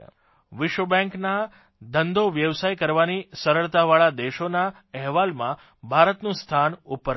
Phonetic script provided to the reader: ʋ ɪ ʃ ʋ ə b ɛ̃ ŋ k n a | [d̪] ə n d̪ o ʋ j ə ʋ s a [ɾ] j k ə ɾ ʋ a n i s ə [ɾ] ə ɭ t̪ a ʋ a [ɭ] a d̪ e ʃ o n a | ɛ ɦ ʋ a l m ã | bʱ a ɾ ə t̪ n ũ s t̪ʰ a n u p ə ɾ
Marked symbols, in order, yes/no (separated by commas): yes, no, yes, yes